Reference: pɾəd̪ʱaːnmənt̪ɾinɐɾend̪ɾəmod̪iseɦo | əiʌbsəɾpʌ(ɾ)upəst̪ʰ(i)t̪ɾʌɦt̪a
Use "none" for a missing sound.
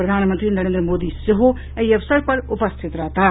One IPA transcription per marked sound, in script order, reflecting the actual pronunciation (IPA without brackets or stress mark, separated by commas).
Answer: ɾ, i